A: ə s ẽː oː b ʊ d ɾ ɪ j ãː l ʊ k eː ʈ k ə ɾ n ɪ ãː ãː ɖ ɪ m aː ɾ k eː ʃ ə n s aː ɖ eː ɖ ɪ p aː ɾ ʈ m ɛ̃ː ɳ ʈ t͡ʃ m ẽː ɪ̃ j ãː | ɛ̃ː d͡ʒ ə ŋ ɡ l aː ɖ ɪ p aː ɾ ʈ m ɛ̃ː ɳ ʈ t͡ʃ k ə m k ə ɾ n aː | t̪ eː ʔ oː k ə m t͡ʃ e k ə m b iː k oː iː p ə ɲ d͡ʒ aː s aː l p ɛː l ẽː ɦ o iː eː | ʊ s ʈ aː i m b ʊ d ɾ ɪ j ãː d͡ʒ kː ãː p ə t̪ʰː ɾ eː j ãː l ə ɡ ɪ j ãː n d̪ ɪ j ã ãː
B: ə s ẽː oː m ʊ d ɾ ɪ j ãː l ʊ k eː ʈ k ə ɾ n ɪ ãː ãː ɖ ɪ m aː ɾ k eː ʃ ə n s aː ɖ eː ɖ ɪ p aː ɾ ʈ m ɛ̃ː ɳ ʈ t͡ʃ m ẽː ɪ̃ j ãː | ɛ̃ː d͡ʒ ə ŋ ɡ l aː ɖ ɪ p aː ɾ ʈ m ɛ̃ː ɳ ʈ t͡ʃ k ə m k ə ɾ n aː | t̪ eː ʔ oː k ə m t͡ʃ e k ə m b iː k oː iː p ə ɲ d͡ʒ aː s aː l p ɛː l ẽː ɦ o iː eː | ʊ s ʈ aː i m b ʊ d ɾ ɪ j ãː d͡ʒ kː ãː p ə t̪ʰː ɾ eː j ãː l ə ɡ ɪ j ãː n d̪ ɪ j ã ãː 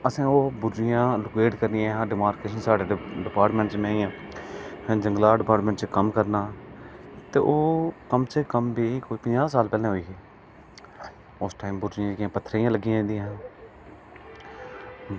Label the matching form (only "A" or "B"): A